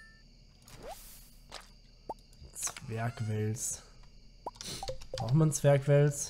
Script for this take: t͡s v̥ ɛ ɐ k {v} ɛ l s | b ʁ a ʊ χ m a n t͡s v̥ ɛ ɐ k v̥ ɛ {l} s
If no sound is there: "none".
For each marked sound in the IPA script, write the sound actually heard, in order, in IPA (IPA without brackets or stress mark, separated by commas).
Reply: v, l